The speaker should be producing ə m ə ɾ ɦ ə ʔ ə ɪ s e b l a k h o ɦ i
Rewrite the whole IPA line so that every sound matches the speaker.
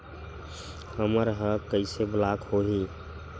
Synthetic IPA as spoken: ə m ə ɾ ɦ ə k ə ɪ s e b l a k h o ɦ i